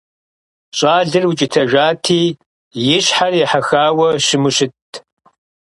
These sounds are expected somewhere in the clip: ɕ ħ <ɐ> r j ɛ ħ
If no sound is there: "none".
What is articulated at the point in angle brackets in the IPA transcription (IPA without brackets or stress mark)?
a